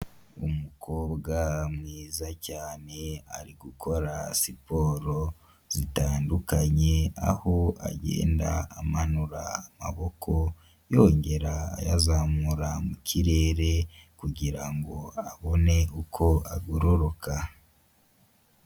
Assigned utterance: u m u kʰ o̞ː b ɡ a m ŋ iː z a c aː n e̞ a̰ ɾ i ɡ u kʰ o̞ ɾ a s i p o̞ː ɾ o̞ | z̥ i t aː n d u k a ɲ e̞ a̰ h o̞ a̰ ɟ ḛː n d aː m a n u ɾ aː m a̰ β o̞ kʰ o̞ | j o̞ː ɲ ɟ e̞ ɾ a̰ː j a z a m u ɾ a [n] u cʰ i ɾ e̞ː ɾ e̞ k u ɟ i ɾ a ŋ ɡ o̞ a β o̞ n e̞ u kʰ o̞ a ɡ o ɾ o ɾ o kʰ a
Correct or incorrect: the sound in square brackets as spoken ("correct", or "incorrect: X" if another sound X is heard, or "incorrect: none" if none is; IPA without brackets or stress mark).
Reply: incorrect: m